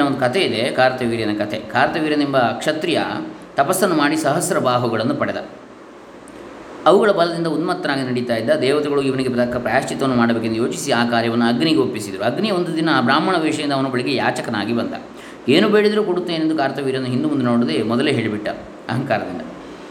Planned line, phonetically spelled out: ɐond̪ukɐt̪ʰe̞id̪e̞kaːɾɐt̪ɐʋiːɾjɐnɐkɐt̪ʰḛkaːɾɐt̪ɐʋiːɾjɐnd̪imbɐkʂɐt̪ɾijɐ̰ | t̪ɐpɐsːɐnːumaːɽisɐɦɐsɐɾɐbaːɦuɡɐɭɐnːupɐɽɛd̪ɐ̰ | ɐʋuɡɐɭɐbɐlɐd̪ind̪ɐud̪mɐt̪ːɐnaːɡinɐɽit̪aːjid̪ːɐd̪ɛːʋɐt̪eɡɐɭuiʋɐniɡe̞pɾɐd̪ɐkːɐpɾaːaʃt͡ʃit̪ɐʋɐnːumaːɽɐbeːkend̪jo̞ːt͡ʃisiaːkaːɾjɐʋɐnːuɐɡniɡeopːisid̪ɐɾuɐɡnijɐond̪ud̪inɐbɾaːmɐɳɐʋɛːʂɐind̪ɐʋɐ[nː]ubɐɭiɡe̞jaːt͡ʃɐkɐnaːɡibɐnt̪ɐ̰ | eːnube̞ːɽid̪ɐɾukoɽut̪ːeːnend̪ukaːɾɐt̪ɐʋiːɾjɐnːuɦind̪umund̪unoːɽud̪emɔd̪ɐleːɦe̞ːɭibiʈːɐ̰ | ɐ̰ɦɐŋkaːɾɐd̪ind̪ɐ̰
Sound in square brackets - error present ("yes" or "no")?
yes